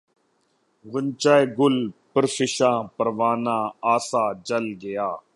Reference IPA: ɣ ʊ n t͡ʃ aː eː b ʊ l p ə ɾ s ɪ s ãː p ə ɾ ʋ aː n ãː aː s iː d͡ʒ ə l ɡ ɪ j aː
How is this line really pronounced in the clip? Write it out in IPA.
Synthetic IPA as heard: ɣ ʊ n t͡ʃ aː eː ɡ ʊ l p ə ɾ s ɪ ʃ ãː p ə ɾ ʋ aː n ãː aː s aː d͡ʒ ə l ɡ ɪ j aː